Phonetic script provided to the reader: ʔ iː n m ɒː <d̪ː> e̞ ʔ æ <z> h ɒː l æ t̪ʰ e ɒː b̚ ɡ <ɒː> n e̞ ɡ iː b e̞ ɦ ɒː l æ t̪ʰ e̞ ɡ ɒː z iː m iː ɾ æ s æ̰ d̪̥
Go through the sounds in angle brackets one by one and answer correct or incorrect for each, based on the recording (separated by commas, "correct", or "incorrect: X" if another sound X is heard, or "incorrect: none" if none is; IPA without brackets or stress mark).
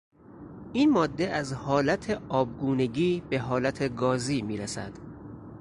correct, correct, incorrect: uː